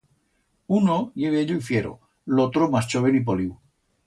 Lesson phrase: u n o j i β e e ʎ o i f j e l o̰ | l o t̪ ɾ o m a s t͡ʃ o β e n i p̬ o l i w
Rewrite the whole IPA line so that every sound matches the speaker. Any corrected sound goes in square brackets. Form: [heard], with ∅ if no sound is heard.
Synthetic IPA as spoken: u n o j [e] β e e ʎ o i f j e [ɾ] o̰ | l o t̪ ɾ o m a s t͡ʃ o β e n i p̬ o l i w